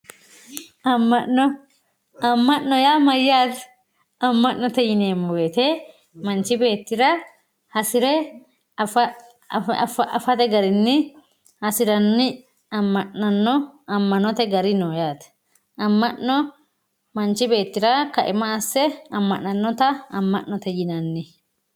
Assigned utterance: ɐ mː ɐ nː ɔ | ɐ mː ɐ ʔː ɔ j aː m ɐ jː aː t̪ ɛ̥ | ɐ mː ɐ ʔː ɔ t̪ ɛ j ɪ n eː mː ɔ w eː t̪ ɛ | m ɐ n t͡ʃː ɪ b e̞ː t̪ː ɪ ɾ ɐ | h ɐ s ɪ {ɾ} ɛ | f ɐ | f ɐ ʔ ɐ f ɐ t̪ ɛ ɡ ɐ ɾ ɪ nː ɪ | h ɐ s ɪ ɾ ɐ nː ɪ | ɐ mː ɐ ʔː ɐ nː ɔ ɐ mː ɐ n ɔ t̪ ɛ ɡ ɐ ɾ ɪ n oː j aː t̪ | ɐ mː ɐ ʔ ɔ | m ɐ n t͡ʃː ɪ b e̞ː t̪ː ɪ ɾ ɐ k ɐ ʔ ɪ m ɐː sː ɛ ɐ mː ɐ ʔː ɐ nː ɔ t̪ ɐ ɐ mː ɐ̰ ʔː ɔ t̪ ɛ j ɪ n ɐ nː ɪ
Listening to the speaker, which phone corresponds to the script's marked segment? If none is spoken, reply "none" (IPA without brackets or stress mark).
ɾ